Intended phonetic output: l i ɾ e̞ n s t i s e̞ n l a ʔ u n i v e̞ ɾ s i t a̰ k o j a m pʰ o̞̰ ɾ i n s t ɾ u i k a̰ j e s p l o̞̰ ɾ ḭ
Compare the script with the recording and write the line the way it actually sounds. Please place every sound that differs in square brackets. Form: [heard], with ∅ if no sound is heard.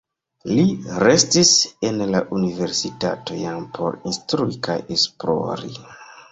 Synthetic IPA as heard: l i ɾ e̞ [∅] s t i s e̞ n l a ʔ u n i v e̞ ɾ s i t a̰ [t] o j a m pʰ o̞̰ ɾ i n s t ɾ u i k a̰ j e s p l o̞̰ ɾ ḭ

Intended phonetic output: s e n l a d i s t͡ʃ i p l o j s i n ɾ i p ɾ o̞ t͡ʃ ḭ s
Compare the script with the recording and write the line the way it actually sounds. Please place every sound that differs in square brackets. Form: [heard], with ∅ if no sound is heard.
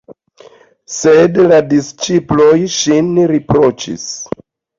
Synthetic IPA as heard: s e [d] l a d i s t͡ʃ i p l o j [ʃ] i n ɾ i p ɾ o̞ t͡ʃ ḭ s

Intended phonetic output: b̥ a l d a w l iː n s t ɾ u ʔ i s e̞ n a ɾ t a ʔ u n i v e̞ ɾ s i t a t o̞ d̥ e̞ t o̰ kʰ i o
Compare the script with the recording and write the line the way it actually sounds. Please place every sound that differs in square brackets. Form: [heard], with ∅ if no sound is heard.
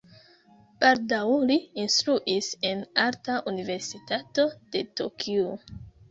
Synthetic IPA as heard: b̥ a l d a w l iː n s t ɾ u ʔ i s e̞ n a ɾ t a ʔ u n i v e̞ ɾ s i t a t o̞ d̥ e̞ t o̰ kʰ i o

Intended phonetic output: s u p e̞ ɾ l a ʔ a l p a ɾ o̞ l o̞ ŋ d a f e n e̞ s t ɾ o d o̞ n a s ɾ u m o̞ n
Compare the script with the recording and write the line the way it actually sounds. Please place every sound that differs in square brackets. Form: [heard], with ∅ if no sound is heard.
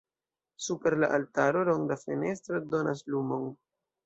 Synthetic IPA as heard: s u p e̞ ɾ l a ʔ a l [t] a ɾ o̞ l o̞ ŋ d a f e n e̞ s t ɾ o d o̞ n a s [l] u m o̞ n

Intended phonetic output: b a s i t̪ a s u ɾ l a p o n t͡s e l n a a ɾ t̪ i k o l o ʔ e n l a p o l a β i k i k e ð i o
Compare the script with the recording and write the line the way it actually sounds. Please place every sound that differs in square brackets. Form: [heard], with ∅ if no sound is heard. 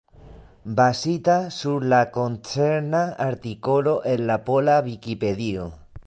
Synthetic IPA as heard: b a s i t̪ a s u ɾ l a [k] o n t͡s e [ɾ] n a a ɾ t̪ i k o l o ʔ e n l a p o l a β i k i [p] e ð i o

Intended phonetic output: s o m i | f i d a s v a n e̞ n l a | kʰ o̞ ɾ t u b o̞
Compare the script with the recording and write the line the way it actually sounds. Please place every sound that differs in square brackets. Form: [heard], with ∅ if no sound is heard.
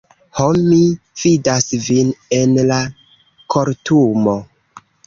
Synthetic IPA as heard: [h] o m i | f i d a s v [i] n e̞ n l a | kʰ o̞ ɾ t u [m] o̞

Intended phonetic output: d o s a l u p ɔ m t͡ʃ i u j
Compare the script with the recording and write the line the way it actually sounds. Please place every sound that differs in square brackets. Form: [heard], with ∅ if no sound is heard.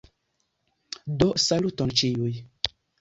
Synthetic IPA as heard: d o s a l u [t] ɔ [n] t͡ʃ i u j

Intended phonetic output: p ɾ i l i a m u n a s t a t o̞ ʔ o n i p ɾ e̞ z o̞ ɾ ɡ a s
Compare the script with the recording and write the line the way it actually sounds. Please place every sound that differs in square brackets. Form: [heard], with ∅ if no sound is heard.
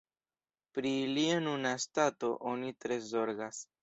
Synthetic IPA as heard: p ɾ i l i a [n] u n a s t a t o̞ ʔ o n i [t] ɾ e̞ z o̞ ɾ ɡ a s

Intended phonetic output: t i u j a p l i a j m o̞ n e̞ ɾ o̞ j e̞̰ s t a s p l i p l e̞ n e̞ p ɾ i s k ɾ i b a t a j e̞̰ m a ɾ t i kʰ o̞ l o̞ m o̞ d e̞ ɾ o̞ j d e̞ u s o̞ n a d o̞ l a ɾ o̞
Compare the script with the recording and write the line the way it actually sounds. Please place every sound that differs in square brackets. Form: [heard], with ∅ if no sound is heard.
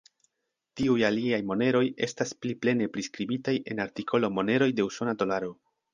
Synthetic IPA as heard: t i u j a [∅] l i a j m o̞ n e̞ ɾ o̞ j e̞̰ s t a s p l i p l e̞ n e̞ p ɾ i s k ɾ i b [i] t a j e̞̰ [n] a ɾ t i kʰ o̞ l o̞ m o̞ [n] e̞ ɾ o̞ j d e̞ u s o̞ n a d o̞ l a ɾ o̞

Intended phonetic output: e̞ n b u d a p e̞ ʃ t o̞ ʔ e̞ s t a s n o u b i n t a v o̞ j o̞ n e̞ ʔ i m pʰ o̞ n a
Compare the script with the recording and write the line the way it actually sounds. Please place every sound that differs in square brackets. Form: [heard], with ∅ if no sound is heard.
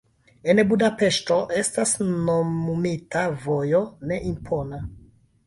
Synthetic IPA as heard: e̞ n b u d a p e̞ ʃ t o̞ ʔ e̞ s t a s n o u [m] i [∅] t a v o̞ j o̞ n e̞ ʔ i m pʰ o̞ n a

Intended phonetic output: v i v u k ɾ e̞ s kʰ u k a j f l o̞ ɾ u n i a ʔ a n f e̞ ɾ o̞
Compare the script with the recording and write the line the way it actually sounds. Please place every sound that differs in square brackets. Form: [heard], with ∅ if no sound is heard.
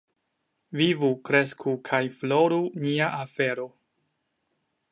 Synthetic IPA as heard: v i v u k ɾ e̞ s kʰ u [kʰ] a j f l o̞ ɾ u n i a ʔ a [∅] f e̞ ɾ o̞

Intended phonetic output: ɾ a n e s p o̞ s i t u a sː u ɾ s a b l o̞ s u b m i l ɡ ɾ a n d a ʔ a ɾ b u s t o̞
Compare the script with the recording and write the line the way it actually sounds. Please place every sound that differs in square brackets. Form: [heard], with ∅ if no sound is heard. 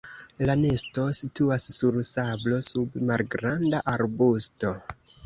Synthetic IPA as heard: [l] a n e s [t] o̞ s i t u a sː u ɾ s a b l o̞ s u b m [a] l ɡ ɾ a n d a ʔ a ɾ b u s t o̞

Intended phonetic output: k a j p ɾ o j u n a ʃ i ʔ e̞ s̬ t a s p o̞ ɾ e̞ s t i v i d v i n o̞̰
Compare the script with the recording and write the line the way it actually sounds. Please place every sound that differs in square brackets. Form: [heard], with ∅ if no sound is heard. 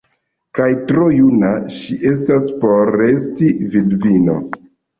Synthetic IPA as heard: k a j [t] ɾ o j u n a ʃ i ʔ e̞ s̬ t a s p o̞ ɾ e̞ s t i v i d v i n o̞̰

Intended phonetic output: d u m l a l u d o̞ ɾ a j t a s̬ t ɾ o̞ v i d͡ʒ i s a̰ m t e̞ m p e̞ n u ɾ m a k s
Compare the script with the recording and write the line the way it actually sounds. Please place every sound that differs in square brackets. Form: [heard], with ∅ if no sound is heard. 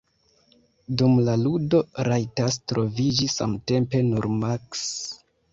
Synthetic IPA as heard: d u m l a l u d o̞ ɾ a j t a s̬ t ɾ o̞ v i d͡ʒ i s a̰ m t e̞ m p e̞ n u ɾ m a k s

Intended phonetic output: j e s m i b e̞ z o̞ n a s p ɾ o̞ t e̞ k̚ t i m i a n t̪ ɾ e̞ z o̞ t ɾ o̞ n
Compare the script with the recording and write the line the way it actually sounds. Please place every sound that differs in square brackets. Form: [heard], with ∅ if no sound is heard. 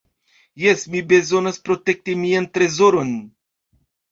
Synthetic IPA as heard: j e s m i b e̞ z o̞ n a s p ɾ o̞ t e̞ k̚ t i m i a n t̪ ɾ e̞ z o̞ [∅] ɾ o̞ n

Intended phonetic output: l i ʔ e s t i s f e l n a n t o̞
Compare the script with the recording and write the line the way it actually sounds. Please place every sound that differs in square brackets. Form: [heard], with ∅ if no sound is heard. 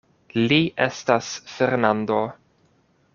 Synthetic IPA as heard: l i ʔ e s t [a] s f e [ɾ] n a n [d] o̞

